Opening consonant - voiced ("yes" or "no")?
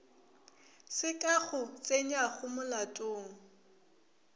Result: no